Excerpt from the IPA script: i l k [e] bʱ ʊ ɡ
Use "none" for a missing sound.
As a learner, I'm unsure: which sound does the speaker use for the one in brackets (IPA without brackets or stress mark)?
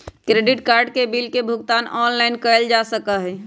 e